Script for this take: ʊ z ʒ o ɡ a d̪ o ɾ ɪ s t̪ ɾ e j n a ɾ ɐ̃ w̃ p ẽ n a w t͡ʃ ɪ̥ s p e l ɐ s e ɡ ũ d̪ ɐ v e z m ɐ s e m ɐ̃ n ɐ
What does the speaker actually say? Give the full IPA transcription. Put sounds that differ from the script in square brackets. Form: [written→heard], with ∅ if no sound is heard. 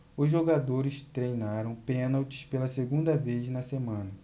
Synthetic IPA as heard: ʊ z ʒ o ɡ a d̪ o ɾ ɪ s t̪ ɾ e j n a ɾ ɐ̃ w̃ p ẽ n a w t͡ʃ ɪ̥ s p e l ɐ s e ɡ ũ d̪ ɐ v e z [m→n] ɐ s e m ɐ̃ n ɐ